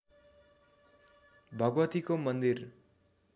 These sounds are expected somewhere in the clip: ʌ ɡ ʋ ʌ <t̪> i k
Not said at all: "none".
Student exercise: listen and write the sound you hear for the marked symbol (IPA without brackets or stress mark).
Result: t̪